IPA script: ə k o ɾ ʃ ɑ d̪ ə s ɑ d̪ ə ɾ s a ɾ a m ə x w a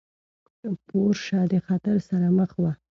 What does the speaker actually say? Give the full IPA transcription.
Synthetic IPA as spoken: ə p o ɾ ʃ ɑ d̪ ə x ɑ t̪ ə ɾ s a ɾ a m ə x w a